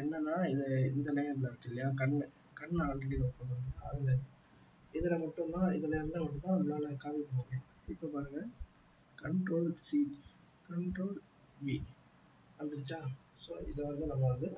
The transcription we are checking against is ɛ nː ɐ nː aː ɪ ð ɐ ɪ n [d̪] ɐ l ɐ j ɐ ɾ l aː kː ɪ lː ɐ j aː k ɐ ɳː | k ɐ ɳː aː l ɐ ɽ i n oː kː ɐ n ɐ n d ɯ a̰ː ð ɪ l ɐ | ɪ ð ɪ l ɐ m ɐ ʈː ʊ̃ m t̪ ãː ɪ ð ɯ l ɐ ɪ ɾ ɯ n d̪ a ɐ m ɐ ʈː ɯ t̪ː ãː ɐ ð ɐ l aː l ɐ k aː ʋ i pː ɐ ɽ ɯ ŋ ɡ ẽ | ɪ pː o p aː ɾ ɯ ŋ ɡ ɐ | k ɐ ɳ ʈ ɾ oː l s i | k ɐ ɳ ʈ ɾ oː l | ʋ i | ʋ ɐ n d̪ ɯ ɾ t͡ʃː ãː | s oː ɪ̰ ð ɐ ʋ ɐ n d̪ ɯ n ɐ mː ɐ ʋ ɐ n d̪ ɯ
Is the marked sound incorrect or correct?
correct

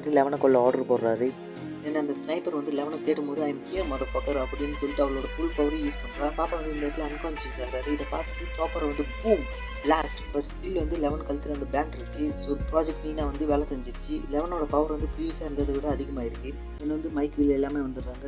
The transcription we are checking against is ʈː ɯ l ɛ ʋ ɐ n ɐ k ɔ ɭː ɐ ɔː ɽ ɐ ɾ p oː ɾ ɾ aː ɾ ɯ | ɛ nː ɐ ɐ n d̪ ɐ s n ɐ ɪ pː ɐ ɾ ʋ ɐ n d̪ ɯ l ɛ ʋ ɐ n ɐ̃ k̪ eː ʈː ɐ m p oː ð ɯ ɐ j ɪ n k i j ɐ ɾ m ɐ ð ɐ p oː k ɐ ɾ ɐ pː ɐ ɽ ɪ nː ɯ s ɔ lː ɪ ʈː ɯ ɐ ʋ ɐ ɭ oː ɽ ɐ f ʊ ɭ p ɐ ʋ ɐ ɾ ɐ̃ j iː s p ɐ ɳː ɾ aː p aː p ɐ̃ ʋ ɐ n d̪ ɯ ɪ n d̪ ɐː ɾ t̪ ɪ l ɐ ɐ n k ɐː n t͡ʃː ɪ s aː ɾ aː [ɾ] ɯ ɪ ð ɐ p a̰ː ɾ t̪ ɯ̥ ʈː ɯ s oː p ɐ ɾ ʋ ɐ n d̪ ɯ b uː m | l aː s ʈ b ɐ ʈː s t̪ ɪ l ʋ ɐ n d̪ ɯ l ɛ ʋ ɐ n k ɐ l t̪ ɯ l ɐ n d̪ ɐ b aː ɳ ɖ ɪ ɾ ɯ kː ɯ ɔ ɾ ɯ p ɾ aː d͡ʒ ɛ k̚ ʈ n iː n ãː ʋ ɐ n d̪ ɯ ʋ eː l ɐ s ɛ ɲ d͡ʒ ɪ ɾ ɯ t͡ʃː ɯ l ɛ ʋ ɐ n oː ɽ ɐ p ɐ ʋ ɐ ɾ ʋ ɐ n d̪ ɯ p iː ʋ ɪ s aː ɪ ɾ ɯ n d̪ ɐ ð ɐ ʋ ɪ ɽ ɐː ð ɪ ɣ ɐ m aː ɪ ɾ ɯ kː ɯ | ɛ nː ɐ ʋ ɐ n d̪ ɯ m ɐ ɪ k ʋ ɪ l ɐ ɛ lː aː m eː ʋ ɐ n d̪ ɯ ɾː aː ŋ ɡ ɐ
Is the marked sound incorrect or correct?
correct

